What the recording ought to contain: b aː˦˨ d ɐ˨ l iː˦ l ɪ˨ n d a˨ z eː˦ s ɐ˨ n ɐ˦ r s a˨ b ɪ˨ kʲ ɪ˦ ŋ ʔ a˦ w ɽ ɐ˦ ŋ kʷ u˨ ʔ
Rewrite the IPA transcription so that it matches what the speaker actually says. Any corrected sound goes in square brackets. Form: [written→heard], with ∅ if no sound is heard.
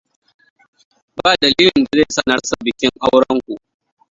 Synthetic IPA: b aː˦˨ d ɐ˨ l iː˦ l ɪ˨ n d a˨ z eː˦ s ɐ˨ n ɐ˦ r s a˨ b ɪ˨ kʲ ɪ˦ ŋ ʔ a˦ w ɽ ɐ˦ ŋ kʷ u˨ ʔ